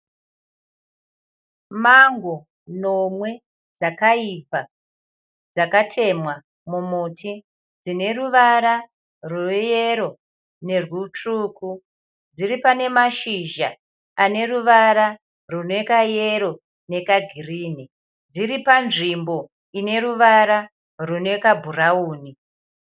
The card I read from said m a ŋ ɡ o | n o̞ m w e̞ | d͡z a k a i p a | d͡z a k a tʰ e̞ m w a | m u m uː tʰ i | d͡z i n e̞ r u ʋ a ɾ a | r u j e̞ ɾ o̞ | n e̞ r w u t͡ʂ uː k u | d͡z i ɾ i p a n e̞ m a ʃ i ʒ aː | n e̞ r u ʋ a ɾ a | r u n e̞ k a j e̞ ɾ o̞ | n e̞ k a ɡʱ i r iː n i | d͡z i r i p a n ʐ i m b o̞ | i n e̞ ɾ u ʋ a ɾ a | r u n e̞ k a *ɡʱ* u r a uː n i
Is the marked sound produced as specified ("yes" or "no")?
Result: no